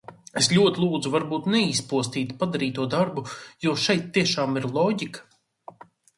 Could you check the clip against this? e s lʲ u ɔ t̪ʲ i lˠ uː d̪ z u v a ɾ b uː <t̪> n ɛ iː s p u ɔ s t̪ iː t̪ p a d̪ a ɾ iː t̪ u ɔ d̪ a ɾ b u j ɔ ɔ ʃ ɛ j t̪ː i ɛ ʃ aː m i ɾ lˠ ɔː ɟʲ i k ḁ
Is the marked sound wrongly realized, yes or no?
no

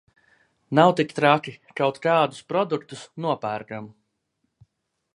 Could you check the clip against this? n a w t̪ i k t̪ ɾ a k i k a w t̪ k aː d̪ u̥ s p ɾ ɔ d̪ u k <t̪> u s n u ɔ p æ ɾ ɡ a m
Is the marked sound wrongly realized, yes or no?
no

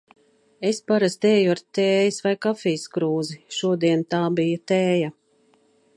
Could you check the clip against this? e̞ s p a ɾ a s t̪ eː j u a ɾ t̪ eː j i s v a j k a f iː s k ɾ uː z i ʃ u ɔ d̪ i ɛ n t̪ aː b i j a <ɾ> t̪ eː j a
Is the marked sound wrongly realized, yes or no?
yes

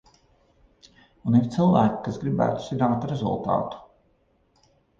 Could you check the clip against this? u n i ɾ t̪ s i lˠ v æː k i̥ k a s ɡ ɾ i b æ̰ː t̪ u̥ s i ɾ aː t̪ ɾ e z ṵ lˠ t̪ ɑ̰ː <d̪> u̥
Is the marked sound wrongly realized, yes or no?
yes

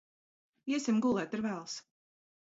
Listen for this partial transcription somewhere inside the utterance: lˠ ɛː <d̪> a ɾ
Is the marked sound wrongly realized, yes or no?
yes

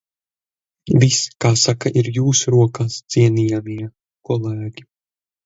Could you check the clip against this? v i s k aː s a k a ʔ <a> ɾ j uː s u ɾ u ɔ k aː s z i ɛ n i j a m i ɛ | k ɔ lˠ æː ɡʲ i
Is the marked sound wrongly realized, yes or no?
yes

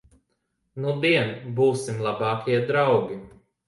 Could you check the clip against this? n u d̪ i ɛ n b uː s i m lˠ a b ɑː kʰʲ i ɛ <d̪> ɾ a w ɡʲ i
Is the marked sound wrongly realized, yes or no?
no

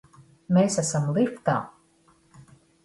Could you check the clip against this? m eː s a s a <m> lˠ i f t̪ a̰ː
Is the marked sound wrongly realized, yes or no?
no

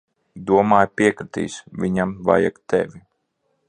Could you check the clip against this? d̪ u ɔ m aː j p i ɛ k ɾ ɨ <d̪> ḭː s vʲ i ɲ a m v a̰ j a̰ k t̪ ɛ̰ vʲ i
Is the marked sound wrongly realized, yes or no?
yes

